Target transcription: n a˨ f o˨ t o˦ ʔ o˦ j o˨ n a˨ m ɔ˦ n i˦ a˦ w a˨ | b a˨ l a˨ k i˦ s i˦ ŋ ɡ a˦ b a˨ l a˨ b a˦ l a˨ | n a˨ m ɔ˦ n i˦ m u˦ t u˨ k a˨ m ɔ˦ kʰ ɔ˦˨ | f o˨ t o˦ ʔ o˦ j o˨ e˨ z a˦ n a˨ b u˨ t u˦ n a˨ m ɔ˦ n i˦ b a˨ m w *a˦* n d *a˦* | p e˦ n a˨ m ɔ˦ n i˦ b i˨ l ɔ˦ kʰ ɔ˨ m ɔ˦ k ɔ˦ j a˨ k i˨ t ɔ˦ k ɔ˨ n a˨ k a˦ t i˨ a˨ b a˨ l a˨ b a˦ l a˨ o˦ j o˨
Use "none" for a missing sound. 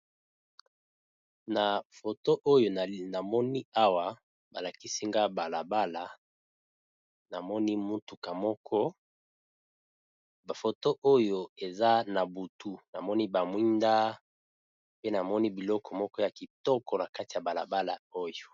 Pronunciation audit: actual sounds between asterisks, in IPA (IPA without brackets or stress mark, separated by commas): i˦, a˦